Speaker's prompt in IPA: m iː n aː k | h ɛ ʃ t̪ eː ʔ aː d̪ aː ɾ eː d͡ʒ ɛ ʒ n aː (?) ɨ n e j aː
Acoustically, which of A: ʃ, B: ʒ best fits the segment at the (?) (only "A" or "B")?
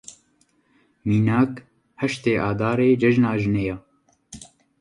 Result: B